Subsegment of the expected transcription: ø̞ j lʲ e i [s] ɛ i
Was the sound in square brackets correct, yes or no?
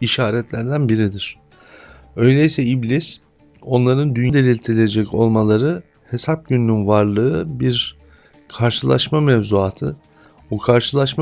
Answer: yes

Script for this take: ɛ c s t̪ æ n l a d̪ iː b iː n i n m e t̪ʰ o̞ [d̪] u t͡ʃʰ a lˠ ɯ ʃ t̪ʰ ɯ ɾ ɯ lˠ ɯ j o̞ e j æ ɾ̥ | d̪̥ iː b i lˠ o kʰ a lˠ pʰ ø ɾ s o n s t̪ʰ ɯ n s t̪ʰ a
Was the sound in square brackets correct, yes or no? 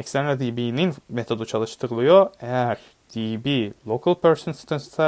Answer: yes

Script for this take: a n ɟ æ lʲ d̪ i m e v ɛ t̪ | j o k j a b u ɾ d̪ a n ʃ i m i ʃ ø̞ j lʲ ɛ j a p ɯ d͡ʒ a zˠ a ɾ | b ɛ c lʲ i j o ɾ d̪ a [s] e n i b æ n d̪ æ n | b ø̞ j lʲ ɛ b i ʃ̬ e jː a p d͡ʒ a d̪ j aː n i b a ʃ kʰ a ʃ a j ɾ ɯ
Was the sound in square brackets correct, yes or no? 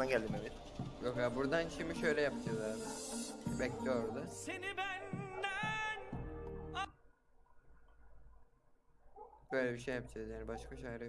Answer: yes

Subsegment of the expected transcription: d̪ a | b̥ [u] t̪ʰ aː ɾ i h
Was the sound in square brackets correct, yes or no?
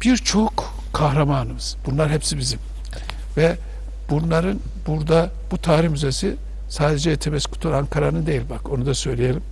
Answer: yes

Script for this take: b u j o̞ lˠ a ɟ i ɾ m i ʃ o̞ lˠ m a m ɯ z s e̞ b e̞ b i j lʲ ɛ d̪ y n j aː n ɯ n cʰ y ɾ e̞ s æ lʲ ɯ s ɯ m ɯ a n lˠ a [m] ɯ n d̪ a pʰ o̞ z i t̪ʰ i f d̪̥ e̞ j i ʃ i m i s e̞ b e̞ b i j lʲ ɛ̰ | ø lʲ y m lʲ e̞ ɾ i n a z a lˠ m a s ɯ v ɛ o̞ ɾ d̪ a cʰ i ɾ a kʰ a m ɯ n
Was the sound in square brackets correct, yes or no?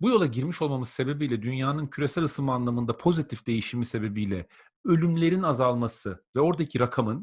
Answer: yes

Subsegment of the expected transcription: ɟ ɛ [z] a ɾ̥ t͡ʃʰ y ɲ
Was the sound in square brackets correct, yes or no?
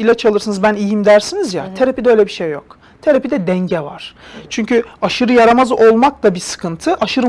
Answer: no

